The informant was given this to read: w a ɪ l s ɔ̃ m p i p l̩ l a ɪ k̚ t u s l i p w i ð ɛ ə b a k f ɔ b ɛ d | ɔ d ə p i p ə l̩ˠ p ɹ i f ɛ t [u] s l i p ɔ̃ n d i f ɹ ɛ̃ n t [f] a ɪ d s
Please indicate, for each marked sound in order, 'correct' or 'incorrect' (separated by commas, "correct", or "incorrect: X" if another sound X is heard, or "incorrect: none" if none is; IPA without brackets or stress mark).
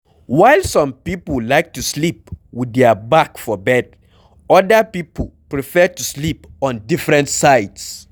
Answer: correct, incorrect: s